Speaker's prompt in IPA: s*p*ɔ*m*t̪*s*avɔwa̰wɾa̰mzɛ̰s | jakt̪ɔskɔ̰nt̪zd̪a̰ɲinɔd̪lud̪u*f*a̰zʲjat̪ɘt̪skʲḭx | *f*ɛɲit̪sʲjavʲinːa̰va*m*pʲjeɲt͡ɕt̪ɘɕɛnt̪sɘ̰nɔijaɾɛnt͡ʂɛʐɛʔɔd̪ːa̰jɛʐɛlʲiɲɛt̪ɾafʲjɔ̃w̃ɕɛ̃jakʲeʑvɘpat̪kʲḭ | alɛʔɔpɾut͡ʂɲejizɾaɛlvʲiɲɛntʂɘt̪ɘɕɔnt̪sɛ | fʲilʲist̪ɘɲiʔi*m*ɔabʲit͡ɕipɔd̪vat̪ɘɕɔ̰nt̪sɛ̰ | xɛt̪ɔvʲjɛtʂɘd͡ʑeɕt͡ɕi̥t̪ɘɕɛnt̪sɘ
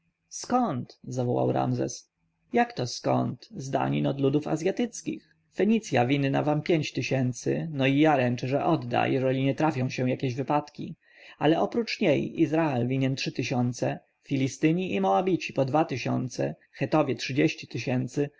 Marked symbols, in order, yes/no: no, no, no, yes, yes, yes, yes

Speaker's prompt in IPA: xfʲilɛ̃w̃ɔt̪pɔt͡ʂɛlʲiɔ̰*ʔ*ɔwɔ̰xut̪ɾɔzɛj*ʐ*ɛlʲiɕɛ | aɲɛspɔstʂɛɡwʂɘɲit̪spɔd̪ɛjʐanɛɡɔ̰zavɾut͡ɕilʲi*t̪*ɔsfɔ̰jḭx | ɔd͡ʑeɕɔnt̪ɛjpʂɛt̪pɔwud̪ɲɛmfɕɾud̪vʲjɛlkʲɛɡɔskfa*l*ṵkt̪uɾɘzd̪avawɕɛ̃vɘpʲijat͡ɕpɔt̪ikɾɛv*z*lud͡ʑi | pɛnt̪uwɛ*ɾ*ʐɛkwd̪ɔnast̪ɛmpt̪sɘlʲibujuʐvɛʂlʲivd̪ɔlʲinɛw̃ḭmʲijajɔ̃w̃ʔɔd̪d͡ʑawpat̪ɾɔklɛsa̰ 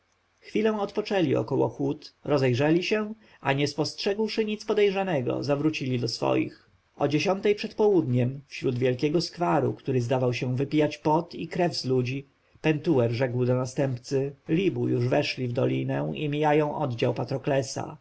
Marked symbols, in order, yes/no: no, yes, no, no, yes, yes

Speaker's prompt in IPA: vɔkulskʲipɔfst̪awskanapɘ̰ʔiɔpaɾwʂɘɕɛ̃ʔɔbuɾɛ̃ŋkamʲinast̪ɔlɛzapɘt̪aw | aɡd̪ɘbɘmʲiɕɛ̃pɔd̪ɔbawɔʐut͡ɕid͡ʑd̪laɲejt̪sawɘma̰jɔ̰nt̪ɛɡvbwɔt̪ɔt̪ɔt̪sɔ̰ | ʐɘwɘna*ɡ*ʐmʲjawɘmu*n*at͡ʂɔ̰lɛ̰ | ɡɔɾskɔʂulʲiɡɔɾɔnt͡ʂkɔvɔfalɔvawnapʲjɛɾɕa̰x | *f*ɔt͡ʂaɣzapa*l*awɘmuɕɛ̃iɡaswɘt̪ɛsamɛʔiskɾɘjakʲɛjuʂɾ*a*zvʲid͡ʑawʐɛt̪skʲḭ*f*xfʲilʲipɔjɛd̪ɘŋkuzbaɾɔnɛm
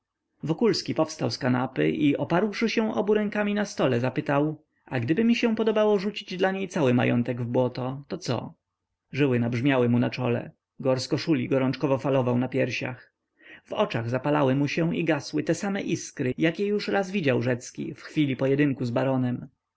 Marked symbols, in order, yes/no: no, yes, no, yes, yes, yes

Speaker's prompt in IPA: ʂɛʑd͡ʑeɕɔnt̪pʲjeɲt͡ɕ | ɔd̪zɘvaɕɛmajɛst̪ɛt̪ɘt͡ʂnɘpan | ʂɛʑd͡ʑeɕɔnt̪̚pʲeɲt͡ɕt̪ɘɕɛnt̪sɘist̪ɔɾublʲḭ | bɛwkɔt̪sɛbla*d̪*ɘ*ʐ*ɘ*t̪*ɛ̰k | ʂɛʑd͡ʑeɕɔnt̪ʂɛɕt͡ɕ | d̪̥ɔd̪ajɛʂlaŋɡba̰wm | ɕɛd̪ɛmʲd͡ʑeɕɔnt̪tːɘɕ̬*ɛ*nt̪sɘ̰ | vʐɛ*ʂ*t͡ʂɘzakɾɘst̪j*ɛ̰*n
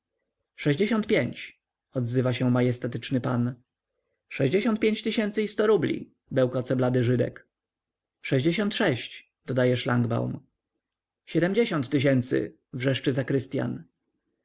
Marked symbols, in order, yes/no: yes, yes, no, yes, yes, no

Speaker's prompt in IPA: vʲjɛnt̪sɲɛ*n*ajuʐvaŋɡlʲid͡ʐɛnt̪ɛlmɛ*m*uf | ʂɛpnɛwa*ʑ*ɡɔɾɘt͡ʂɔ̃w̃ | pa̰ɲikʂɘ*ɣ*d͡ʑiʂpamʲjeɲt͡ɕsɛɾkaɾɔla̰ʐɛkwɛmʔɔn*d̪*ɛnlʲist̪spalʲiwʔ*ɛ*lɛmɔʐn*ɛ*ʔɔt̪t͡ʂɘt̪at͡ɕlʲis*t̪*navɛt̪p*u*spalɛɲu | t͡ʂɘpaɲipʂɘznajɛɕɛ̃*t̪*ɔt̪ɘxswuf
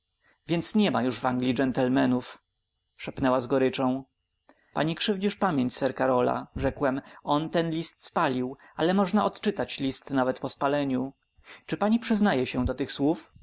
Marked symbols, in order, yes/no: no, no, no, no, no, no, no, yes, no, no

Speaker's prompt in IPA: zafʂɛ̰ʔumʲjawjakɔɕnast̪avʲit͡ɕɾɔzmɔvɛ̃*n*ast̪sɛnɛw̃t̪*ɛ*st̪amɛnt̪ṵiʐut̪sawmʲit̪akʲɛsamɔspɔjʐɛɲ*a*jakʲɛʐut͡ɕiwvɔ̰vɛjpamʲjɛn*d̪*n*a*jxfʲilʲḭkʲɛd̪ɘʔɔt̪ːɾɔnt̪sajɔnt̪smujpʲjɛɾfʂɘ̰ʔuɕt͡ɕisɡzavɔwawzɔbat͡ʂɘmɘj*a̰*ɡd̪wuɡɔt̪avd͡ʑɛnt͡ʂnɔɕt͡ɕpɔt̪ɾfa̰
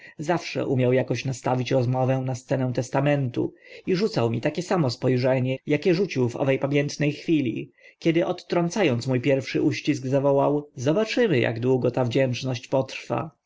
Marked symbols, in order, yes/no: yes, yes, no, no, no, yes

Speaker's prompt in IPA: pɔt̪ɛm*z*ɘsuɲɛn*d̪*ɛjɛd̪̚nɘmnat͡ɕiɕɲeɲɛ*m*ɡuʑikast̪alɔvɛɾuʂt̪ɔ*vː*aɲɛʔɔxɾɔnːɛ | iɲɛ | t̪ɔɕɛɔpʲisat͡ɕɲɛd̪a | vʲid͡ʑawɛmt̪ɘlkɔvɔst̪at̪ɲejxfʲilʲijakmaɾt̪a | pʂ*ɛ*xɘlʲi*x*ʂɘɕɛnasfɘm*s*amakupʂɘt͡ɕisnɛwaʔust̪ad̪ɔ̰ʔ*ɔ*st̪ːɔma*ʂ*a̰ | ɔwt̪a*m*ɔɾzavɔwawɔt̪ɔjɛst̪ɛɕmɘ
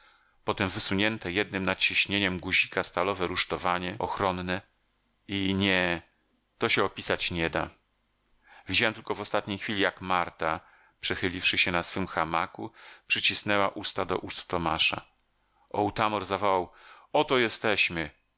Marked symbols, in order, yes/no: no, no, yes, no, yes, no, no, no, yes, yes

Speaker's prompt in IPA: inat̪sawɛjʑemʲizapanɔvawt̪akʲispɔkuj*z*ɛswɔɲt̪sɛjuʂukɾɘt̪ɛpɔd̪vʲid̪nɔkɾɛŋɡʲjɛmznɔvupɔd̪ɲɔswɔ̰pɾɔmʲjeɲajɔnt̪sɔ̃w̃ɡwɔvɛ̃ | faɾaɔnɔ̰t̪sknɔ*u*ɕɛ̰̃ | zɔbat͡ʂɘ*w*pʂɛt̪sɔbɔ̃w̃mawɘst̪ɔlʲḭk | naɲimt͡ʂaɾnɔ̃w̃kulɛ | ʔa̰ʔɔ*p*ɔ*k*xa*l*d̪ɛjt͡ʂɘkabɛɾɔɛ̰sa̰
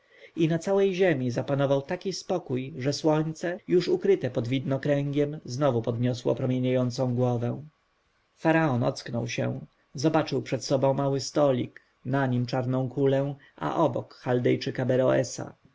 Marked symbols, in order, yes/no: no, no, yes, no, yes, yes

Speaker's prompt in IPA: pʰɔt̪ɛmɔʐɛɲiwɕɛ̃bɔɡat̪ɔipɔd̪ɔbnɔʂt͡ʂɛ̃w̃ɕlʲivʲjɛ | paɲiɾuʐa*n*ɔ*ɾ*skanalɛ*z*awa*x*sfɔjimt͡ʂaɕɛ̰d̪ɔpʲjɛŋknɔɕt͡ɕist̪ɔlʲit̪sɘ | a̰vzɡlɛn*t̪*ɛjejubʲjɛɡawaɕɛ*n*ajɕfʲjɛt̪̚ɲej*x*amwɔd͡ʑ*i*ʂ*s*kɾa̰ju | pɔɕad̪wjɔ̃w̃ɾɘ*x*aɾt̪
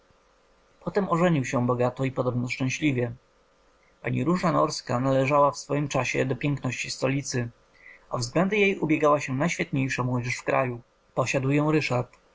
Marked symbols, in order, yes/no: yes, yes, no, no, no, yes, no, no, no, no

